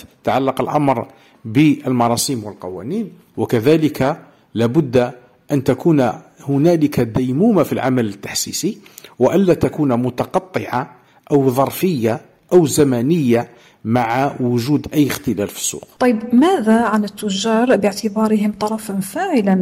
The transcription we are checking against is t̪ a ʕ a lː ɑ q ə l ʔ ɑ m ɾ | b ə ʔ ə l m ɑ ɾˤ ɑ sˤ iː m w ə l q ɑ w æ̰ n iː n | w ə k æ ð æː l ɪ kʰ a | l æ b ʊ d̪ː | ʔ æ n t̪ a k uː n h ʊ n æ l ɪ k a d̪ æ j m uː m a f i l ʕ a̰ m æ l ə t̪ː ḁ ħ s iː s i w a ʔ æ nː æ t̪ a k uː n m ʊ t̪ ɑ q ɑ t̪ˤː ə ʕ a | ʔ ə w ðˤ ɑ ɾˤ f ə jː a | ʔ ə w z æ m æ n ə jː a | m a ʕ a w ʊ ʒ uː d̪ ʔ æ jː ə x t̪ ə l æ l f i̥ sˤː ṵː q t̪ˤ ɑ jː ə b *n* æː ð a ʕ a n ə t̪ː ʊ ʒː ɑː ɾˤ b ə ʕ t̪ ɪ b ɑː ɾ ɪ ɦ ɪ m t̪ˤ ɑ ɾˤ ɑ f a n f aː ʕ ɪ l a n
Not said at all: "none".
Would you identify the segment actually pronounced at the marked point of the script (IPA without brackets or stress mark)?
m